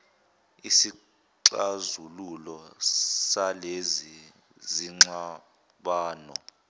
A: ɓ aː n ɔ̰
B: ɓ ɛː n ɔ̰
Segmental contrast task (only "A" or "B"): A